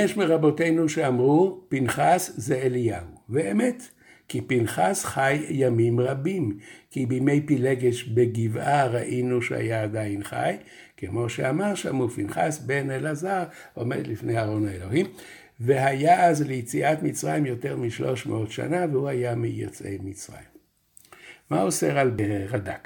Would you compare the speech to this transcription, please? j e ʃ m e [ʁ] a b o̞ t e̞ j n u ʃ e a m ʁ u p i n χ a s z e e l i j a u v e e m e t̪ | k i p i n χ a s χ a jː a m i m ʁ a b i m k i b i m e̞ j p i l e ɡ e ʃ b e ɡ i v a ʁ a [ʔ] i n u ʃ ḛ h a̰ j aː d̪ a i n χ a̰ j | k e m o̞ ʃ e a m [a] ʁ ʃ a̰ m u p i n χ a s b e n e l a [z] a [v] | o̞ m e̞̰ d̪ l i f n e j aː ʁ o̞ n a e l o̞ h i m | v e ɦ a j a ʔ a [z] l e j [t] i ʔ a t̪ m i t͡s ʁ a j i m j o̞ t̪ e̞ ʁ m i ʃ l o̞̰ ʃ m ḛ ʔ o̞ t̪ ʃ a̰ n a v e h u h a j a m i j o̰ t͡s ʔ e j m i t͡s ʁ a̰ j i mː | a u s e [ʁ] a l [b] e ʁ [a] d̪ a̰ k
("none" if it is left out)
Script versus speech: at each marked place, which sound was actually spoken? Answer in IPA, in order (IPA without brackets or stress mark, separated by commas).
ʁ, ʔ, a, z, ʁ, z, t͡s, ʁ, b, a